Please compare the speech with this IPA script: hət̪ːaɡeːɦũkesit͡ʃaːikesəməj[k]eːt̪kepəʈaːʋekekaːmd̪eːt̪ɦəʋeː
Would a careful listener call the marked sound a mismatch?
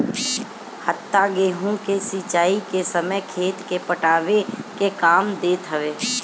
yes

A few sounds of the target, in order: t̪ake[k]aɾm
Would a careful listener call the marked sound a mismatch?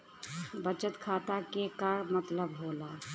no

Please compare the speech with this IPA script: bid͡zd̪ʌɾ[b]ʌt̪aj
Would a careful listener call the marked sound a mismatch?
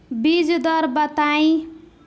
no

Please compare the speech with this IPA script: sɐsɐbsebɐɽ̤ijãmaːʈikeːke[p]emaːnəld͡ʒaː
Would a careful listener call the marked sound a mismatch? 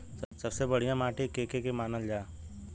yes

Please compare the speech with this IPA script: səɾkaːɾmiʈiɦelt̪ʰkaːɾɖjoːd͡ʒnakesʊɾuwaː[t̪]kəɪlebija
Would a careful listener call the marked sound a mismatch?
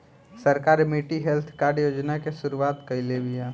no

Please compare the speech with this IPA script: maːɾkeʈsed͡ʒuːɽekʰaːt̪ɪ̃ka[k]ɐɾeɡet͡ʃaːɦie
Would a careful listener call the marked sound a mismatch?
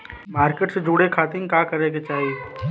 no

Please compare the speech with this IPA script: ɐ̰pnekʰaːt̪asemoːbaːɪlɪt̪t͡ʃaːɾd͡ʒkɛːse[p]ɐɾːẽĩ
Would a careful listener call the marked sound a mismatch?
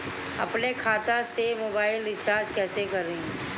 yes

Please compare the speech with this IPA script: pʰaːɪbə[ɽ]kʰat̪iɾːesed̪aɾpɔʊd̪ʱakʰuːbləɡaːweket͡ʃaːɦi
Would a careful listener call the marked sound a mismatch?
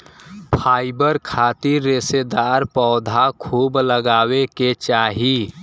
yes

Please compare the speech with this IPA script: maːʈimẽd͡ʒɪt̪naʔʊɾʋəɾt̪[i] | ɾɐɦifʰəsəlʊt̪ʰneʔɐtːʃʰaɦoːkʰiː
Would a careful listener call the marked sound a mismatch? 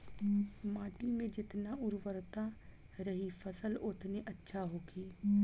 yes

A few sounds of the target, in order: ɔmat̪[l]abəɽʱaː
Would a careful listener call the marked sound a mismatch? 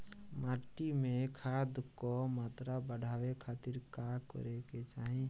yes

